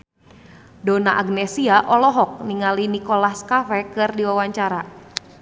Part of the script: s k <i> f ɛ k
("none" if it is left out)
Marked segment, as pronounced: a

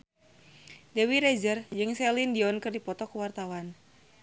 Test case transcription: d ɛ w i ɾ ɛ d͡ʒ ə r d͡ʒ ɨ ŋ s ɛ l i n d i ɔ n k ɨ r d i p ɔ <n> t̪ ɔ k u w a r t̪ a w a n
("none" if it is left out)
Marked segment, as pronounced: none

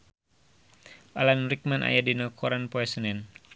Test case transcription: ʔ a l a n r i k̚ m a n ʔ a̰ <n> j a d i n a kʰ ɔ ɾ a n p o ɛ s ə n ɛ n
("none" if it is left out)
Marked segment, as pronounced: none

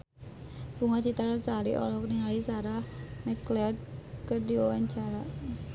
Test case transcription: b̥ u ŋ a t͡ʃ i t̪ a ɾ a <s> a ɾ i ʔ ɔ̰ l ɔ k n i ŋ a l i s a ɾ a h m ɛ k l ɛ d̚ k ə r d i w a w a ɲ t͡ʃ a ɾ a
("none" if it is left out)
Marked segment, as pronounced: s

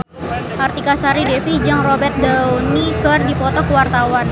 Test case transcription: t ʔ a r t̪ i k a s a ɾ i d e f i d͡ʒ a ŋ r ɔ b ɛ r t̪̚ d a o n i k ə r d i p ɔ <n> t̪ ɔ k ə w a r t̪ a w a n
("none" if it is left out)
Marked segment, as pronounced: none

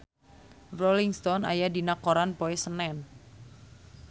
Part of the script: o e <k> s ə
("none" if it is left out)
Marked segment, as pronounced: none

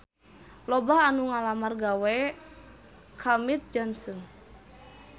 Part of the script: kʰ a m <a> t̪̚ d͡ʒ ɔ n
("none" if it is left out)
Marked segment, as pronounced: i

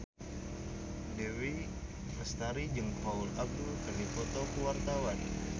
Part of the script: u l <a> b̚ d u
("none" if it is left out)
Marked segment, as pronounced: a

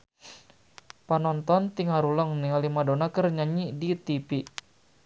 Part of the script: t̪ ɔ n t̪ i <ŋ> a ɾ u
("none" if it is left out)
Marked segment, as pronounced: ŋ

